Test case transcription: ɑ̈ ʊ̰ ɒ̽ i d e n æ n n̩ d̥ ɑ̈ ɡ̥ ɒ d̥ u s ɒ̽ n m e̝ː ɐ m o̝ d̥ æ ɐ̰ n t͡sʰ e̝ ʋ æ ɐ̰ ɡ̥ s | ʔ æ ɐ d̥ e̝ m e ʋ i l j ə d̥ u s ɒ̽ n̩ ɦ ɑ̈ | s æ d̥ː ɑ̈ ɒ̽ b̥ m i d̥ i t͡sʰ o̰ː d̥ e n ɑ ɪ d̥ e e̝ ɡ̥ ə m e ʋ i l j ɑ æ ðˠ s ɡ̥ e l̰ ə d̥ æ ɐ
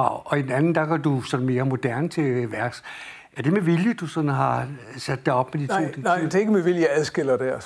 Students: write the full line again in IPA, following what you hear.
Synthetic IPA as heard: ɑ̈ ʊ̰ ɒ̽ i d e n æ n n̩ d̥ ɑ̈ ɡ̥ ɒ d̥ u s ɒ̽ n m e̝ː ɐ m o̝ d̥ æ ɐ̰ n t͡sʰ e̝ ʋ æ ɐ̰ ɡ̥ s | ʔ æ ɐ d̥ e̝ m e ʋ i l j ə d̥ u s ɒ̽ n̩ ɦ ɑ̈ | s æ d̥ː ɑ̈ ɒ̽ b̥ m e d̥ i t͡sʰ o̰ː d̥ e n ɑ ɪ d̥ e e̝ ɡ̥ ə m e ʋ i l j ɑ æ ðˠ s ɡ̥ e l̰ ɐ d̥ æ ɐ